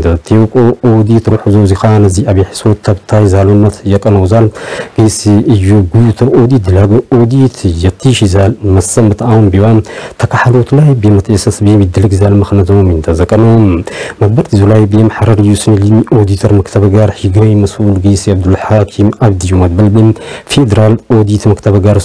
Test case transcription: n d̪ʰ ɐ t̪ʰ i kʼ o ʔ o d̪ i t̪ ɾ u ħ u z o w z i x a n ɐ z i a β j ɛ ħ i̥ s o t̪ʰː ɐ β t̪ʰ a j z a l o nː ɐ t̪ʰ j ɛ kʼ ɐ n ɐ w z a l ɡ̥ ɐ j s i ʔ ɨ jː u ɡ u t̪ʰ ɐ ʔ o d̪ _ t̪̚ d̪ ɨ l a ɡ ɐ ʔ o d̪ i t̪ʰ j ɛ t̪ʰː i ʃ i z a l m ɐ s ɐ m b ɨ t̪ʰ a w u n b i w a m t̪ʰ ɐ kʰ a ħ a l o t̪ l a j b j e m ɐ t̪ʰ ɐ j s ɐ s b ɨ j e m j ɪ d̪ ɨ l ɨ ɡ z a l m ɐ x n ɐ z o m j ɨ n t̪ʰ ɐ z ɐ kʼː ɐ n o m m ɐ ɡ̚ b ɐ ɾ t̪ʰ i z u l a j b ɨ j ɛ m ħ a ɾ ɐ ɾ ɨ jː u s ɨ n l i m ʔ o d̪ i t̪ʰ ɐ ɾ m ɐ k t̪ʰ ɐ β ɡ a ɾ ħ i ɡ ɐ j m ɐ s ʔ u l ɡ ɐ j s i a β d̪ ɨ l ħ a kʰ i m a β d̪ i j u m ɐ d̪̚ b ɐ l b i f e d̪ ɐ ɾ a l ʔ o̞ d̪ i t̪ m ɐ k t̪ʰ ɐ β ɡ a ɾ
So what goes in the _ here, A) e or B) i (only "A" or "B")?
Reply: B